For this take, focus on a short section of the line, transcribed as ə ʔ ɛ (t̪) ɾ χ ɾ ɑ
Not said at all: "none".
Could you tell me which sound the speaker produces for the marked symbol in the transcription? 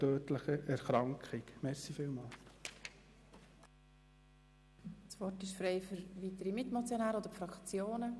none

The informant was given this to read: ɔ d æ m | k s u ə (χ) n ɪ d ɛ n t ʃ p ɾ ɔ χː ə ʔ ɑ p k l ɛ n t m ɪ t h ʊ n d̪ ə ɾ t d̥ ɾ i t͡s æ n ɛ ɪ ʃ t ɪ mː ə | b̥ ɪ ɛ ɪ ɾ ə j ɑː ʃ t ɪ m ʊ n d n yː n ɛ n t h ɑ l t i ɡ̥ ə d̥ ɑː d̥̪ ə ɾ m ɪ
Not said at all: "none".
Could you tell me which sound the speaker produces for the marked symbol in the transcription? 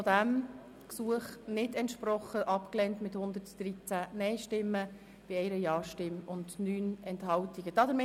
χ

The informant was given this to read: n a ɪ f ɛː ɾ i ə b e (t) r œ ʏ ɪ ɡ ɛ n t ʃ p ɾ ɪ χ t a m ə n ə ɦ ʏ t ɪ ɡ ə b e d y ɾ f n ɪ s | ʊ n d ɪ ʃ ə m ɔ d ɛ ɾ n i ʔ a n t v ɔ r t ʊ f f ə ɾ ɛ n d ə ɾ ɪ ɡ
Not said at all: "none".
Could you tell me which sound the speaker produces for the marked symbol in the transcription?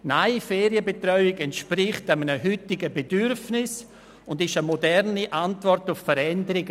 t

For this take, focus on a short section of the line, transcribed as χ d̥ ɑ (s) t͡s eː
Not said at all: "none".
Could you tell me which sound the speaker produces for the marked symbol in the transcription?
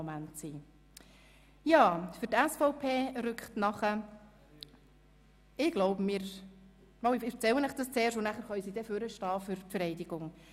s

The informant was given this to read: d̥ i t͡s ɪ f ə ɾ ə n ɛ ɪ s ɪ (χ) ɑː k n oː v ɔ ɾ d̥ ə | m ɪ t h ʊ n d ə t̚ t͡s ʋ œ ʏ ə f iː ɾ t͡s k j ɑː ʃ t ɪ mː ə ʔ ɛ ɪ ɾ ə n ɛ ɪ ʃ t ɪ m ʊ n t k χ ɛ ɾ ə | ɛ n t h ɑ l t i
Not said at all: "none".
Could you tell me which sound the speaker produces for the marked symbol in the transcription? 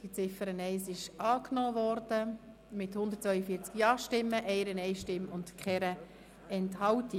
ʃ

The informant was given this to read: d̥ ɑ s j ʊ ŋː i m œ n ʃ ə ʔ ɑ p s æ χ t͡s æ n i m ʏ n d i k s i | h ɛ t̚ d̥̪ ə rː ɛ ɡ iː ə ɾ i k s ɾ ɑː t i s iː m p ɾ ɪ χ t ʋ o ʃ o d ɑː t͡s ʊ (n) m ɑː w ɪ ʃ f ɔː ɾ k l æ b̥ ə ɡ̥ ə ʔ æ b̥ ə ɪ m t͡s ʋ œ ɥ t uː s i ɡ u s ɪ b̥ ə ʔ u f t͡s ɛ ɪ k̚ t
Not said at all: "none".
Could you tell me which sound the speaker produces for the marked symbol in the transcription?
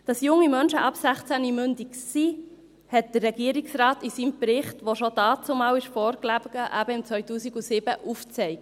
none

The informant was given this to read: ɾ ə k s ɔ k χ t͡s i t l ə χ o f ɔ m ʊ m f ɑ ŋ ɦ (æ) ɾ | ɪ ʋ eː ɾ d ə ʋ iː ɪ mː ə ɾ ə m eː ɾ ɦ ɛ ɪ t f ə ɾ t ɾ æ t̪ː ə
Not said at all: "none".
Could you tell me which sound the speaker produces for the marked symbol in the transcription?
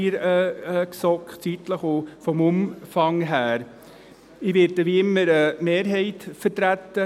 æː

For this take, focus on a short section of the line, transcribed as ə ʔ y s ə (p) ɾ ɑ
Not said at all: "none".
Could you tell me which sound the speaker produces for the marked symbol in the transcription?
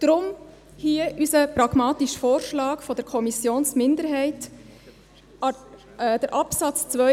p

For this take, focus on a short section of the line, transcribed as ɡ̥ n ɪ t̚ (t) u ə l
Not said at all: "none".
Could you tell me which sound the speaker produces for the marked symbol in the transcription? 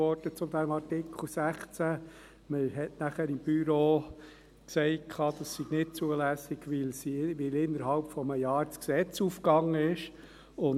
t͡s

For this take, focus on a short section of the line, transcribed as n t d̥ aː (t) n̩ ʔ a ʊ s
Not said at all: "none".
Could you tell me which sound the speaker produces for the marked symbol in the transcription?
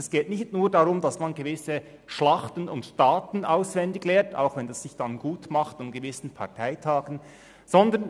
t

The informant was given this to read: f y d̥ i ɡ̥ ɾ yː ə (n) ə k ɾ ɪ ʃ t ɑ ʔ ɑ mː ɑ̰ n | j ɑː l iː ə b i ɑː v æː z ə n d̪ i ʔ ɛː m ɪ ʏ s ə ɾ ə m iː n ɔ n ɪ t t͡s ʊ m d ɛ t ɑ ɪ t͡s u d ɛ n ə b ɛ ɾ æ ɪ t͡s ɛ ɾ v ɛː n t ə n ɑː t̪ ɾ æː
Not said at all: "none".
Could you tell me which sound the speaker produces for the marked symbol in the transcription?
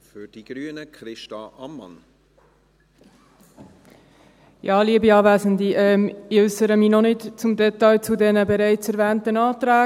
n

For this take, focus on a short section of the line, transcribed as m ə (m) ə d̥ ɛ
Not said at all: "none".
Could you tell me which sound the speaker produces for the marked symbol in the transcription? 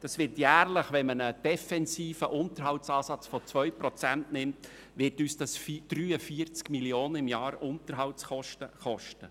n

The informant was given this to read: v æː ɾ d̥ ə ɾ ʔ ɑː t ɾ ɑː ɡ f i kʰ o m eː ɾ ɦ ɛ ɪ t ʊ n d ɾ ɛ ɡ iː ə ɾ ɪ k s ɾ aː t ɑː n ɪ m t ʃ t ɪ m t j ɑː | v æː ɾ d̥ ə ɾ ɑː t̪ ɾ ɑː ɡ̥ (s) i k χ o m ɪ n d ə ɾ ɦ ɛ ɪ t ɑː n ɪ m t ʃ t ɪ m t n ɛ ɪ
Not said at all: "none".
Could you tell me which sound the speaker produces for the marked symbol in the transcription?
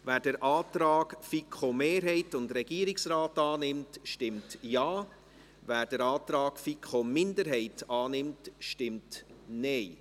f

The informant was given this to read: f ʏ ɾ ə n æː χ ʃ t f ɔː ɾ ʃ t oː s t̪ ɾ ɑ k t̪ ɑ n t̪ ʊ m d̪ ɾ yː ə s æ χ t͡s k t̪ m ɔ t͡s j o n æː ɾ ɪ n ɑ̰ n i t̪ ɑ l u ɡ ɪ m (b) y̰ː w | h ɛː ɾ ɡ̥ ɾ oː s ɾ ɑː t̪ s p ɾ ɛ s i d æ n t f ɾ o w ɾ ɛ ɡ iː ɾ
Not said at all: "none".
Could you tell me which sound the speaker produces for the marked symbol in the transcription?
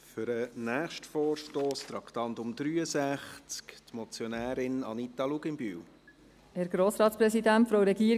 b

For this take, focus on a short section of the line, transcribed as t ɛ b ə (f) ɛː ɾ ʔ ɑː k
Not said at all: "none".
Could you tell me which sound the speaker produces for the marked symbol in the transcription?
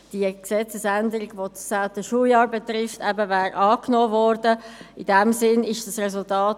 v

